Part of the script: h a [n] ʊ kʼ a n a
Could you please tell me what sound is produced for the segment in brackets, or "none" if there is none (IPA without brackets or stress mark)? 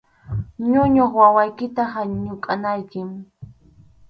ɲ